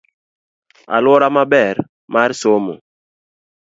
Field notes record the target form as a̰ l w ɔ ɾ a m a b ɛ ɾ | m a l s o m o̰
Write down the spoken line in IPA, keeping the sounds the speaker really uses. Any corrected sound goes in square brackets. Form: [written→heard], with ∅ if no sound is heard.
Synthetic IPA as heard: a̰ l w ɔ ɾ a m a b ɛ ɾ | m a [l→ɾ] s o m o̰